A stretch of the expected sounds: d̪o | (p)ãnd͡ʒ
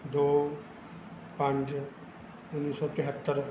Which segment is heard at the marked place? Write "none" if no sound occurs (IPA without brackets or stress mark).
p